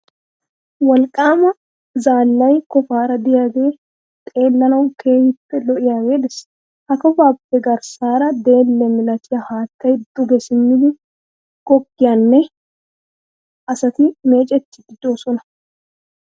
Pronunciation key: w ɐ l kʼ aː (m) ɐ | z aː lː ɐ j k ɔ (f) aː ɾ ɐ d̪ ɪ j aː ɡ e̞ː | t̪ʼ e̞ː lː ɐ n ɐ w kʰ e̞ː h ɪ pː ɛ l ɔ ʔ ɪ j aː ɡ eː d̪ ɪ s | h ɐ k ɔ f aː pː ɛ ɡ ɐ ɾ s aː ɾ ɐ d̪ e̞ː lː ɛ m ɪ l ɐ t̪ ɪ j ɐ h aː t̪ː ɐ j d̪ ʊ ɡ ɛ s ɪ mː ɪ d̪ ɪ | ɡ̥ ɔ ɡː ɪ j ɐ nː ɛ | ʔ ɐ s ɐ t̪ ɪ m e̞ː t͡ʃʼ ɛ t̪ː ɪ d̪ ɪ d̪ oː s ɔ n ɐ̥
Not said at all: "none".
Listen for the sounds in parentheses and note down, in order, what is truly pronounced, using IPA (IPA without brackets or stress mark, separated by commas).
m, f